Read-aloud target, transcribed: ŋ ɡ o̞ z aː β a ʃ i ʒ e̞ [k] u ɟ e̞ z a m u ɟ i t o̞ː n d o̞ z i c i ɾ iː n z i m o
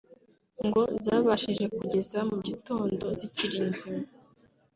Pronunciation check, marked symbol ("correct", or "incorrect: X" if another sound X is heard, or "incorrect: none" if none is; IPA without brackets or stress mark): correct